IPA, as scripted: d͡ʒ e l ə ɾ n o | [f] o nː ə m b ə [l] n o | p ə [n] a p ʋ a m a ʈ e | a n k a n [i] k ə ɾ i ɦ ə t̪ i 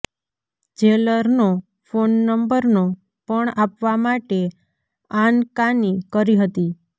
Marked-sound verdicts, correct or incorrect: correct, incorrect, incorrect, correct

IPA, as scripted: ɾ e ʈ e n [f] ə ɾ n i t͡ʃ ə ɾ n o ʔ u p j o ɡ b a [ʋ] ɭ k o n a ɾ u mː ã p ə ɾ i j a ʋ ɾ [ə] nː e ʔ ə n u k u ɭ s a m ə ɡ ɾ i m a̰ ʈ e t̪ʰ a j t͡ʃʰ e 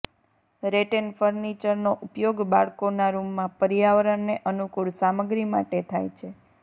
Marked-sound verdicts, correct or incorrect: correct, incorrect, correct

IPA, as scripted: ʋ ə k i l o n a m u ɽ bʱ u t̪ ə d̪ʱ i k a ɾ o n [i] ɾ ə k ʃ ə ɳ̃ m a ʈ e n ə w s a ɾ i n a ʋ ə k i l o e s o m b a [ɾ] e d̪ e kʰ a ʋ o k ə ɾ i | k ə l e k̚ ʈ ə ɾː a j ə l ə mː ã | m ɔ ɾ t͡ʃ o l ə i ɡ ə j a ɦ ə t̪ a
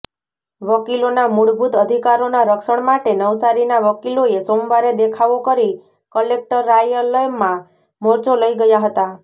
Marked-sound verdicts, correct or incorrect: incorrect, correct

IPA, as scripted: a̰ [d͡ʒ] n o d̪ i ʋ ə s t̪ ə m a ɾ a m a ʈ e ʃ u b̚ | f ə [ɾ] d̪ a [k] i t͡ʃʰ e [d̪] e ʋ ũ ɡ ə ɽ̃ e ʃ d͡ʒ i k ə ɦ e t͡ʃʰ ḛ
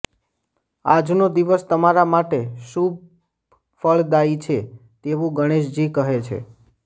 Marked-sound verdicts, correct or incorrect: correct, incorrect, incorrect, incorrect

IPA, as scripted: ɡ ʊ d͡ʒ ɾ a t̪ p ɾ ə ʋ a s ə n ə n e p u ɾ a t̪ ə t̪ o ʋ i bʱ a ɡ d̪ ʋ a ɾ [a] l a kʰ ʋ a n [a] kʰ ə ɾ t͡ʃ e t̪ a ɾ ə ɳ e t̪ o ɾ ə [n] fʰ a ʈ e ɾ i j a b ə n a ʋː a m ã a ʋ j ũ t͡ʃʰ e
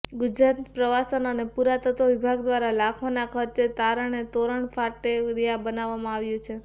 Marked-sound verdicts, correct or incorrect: correct, correct, incorrect

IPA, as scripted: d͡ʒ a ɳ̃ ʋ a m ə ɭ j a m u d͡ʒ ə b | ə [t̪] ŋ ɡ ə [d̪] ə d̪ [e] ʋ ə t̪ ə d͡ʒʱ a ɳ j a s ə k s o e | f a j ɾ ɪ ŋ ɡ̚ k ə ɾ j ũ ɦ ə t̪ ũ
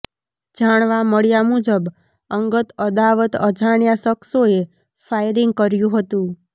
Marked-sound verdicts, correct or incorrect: incorrect, incorrect, incorrect

